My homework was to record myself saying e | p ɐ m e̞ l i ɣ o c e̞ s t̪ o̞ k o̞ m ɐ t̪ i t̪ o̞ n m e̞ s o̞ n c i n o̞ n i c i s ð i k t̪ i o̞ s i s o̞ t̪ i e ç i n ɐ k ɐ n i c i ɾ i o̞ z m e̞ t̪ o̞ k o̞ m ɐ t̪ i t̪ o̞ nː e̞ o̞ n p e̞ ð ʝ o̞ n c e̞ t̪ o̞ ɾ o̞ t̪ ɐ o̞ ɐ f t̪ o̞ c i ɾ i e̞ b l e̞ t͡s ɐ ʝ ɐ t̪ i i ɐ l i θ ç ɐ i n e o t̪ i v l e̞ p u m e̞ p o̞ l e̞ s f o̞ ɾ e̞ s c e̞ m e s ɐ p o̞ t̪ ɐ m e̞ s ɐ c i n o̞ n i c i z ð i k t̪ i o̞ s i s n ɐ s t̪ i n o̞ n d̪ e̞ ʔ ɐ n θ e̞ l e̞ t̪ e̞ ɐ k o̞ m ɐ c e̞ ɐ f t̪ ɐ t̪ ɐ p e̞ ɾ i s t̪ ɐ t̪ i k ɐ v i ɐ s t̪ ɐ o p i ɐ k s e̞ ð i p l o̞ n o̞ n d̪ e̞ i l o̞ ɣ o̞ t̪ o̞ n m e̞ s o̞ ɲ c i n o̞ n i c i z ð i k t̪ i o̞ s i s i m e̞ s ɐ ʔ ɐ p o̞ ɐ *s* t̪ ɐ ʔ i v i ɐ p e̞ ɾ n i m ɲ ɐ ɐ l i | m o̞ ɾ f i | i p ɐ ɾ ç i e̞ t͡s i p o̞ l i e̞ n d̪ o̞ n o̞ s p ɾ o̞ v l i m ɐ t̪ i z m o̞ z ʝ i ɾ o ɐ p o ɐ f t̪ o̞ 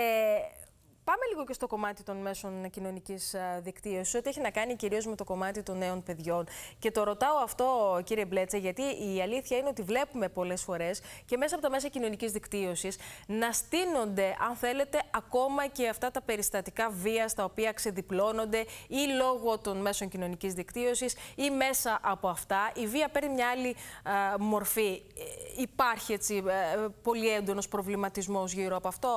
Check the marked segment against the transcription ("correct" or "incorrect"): incorrect